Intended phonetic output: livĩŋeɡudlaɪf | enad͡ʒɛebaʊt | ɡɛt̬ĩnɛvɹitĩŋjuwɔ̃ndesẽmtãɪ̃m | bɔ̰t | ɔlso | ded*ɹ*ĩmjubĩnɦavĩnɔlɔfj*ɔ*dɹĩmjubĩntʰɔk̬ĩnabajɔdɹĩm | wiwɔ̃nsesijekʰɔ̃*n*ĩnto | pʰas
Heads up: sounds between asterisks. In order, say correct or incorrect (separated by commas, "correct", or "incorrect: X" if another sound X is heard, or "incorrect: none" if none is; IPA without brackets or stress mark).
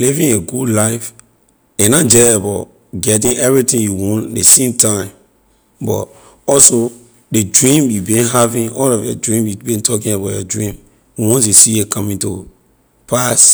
correct, correct, incorrect: m